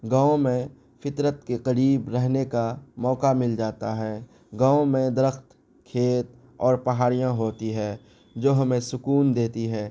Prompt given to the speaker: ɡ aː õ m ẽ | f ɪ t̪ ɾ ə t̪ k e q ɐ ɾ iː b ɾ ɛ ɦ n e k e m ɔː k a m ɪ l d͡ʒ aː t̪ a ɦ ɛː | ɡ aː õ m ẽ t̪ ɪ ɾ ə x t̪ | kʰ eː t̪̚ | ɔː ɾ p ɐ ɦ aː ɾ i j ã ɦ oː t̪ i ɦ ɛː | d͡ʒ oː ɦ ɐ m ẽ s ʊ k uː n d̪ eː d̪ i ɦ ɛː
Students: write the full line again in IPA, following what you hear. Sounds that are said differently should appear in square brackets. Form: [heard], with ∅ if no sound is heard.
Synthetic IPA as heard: ɡ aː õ m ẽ | f ɪ t̪ ɾ ə t̪ k e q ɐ ɾ iː b ɾ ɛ ɦ n e k [a] m ɔː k a m ɪ l d͡ʒ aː t̪ a ɦ ɛː | ɡ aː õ m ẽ [d̪] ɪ ɾ ə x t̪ | kʰ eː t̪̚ | ɔː ɾ p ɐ ɦ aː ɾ i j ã ɦ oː t̪ i ɦ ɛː | d͡ʒ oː ɦ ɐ m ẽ s ʊ k uː n d̪ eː [t̪] i ɦ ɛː